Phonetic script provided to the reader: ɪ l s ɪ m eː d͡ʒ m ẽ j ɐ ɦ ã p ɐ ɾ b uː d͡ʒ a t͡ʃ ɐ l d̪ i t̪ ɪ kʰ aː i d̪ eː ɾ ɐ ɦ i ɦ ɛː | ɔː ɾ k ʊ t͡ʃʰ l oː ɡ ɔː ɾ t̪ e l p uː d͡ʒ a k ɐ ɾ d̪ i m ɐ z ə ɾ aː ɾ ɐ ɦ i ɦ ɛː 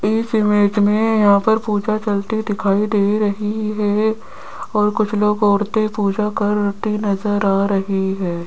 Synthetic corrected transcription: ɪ s ɪ m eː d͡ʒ m ẽ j ɐ ɦ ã p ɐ ɾ p uː d͡ʒ a t͡ʃ ɐ l t̪ i d̪ ɪ kʰ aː i d̪ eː ɾ ɐ ɦ i ɦ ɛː | ɔː ɾ k ʊ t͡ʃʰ l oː ɡ ɔː ɾ t̪ e p uː d͡ʒ a k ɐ ɾ t̪ i n ɐ z ə ɾ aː ɾ ɐ ɦ i ɦ ɛː